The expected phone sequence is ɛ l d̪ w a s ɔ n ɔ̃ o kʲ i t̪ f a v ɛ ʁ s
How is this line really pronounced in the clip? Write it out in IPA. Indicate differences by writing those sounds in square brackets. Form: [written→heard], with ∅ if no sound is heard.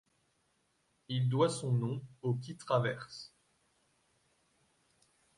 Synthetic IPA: [ɛ→i] l d̪ w a s [ɔ→ɔ̃] n ɔ̃ o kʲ i t̪ [f→χ] a v ɛ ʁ s